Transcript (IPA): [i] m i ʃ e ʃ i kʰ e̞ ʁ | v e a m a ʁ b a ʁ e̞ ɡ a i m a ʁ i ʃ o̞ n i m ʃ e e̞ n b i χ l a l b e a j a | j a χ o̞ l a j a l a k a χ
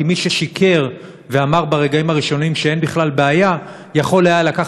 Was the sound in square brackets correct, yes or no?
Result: yes